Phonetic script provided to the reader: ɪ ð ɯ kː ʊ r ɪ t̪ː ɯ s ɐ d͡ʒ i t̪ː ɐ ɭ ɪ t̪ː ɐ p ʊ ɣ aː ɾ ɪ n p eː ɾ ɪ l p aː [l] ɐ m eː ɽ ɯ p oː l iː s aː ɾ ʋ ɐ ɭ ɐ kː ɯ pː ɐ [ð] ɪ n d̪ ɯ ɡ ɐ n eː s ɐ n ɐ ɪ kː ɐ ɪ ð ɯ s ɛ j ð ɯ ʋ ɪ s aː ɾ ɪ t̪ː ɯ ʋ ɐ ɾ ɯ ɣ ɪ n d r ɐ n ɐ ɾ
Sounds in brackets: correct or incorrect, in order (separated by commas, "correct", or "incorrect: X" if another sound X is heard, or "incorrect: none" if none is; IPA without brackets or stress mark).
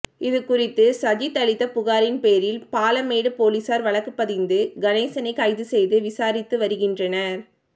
correct, correct